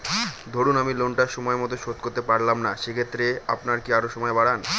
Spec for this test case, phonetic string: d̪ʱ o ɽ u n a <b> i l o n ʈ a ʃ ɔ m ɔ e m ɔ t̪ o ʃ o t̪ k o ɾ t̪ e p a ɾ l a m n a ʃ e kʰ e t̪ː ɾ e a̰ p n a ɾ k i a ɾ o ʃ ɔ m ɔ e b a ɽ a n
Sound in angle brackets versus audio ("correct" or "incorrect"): incorrect